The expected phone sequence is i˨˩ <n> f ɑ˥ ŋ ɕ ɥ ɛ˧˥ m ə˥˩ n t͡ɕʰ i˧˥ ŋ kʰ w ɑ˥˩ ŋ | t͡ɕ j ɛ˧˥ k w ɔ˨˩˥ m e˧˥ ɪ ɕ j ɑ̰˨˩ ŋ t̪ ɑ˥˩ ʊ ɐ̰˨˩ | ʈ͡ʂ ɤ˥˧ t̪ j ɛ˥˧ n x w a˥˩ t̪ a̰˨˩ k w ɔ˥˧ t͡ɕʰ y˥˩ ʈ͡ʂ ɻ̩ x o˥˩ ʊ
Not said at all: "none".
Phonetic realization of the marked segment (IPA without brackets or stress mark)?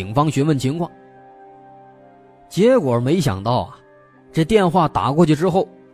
ŋ